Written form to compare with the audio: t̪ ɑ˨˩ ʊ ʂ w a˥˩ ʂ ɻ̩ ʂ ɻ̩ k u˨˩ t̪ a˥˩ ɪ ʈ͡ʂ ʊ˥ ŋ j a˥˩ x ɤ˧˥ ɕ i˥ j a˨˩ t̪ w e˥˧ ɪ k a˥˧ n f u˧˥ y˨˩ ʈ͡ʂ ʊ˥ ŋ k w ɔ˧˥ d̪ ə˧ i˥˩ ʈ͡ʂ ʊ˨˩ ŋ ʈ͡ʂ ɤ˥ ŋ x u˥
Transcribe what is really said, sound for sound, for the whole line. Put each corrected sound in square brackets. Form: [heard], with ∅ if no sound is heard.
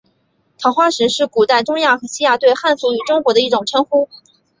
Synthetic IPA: [t̪ʰ] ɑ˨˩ ʊ [x] w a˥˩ ʂ ɻ̩ ʂ ɻ̩ k u˨˩ t̪ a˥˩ ɪ ʈ͡ʂ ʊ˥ ŋ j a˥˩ x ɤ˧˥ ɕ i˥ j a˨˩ t̪ w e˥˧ ɪ [x] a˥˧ n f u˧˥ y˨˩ ʈ͡ʂ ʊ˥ ŋ k w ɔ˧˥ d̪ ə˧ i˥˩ ʈ͡ʂ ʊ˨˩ ŋ [ʈ͡ʂʰ] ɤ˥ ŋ x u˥

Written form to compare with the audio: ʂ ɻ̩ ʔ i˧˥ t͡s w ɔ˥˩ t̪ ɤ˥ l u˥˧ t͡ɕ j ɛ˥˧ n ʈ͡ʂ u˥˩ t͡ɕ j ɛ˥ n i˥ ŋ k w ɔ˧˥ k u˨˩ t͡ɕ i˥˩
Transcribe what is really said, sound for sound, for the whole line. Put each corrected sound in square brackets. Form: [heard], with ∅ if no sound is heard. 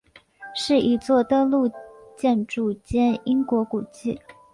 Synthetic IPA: ʂ ɻ̩ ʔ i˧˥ t͡s w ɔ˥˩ t̪ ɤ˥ l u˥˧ t͡ɕ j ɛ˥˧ n ʈ͡ʂ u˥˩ t͡ɕ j ɛ˥ n i˥ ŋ k w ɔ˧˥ k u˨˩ t͡ɕ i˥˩

